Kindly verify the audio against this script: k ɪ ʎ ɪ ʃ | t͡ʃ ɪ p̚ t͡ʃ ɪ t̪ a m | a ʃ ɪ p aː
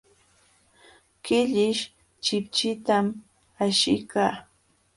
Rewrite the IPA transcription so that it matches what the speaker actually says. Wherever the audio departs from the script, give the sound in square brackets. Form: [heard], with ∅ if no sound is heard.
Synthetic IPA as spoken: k ɪ ʎ ɪ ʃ | t͡ʃ ɪ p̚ t͡ʃ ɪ t̪ a m | a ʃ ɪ [k] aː